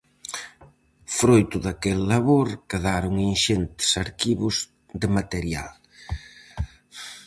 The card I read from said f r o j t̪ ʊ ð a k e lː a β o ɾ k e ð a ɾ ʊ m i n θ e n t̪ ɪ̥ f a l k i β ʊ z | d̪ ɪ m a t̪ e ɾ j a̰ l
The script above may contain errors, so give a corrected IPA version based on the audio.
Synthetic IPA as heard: f ɾ o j t̪ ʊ ð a k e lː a β o ɾ k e ð a ɾ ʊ ŋ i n ʃ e n t̪ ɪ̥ s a ɾ k i β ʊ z | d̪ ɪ m a t̪ e ɾ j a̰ l

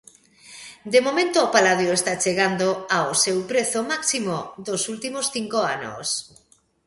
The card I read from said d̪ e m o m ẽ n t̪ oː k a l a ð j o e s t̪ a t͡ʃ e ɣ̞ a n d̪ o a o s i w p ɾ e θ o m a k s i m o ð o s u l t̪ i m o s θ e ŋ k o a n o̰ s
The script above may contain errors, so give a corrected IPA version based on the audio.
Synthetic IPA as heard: d̪ e m o m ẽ n t̪ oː p a l a ð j o e s t̪ a t͡ʃ e ɣ̞ a n d̪ o a o s e w p ɾ e θ o m a k s i m o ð o s u l t̪ i m o s θ i ŋ k o a n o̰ s

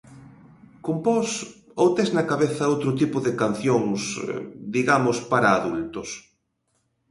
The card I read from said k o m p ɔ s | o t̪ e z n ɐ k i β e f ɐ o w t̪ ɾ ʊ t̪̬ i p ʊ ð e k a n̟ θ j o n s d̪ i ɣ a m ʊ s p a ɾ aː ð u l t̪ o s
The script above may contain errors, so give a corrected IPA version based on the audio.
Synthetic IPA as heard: k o m p ɔ s | o t̪ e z n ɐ k a β e θ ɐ o w t̪ ɾ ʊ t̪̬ i p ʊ ð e k a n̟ θ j o ŋ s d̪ i ɣ a m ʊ s p a ɾ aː ð u l t̪ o s

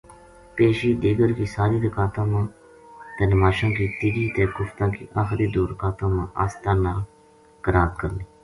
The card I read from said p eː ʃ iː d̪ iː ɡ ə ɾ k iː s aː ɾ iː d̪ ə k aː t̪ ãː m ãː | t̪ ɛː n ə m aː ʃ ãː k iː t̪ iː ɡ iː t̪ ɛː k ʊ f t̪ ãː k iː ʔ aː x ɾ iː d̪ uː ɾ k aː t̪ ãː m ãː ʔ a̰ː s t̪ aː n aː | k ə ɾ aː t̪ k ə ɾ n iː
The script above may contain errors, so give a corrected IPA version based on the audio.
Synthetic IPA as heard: p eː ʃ iː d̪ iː ɡ ə ɾ k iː s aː ɾ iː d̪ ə k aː t̪ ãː m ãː | t̪ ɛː n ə m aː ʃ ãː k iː t̪ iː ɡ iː t̪ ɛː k ʊ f t̪ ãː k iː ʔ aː x ɾ iː d̪ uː ɾ k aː t̪ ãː m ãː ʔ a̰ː s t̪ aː n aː | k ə ɾ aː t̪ k ə ɾ n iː

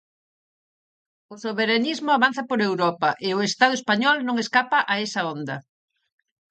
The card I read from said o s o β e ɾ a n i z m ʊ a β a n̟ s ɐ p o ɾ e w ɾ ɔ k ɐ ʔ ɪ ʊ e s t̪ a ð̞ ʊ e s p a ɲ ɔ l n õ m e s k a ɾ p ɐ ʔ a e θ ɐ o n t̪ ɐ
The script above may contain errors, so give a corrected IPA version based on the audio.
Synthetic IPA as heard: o s o β e ɾ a n i z m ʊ a β a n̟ θ ɐ p o ɾ e w ɾ ɔ p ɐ ʔ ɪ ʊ e s t̪ a ð̞ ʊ e s p a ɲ ɔ l n õ ŋ e s k a p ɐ ʔ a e s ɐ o n d̪ ɐ

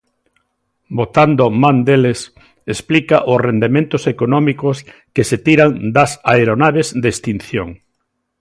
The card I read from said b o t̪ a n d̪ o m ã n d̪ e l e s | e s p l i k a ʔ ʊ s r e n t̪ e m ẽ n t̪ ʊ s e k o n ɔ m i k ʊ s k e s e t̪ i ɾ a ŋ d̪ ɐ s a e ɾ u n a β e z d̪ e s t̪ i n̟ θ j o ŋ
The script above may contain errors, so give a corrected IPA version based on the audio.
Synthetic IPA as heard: b o t̪ a n d̪ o m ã n d̪ e l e s | e s p l i k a ʔ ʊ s r e n d̪ e m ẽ n t̪ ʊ s e k o n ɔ m i k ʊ s k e s e t̪ i ɾ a ŋ d̪ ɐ s a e ɾ o n a β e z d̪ e s t̪ i n̟ θ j o ŋ

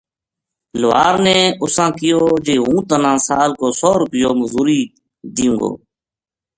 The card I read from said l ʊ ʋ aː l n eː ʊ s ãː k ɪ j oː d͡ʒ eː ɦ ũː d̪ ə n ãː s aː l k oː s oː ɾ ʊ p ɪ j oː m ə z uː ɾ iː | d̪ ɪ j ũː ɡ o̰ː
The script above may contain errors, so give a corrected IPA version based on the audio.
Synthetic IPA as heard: l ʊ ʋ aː ɾ n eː ʊ s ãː k ɪ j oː d͡ʒ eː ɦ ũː t̪ ə n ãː s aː l k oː s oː ɾ ʊ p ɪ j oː m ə z uː ɾ iː | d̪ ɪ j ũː ɡ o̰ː

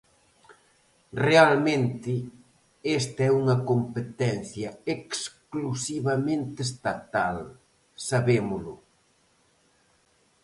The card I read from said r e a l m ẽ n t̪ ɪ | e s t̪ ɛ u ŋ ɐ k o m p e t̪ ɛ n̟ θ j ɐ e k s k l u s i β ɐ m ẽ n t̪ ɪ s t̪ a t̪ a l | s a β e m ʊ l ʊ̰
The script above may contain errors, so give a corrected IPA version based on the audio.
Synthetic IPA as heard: r e a l m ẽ n t̪ ɪ | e s t̪ ɛ u ŋ ɐ k o m p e t̪ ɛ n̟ θ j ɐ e k s k l u s i β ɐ m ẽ n t̪ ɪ s t̪ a t̪ a l | s a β e m ʊ l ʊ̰

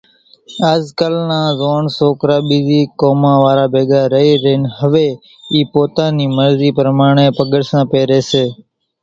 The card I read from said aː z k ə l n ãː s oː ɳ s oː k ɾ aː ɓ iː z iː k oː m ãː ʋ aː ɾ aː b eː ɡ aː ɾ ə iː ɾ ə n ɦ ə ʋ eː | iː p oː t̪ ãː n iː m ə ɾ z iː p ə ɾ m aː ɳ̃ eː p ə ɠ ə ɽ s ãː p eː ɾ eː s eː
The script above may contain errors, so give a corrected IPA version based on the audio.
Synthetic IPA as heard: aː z k ə l n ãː z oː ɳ s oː k ɾ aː ɓ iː z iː k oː m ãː ʋ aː ɾ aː b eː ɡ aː ɾ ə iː ɾ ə n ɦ ə ʋ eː | iː p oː t̪ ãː n iː m ə ɾ z iː p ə ɾ m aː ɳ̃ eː p ə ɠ ə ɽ s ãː p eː ɾ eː s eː

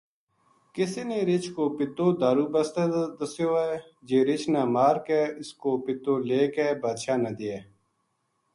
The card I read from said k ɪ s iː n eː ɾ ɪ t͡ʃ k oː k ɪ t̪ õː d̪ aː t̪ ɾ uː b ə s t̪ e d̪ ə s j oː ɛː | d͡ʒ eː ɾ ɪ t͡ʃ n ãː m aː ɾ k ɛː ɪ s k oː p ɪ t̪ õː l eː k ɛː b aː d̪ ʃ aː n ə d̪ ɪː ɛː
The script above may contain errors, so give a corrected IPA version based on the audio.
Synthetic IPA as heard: k ɪ s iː n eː ɾ ɪ t͡ʃ k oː p ɪ t̪ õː d̪ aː ɾ uː b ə s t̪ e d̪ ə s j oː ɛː | d͡ʒ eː ɾ ɪ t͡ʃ n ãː m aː ɾ k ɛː ɪ s k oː p ɪ t̪ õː l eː k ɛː b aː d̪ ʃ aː n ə d̪ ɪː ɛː

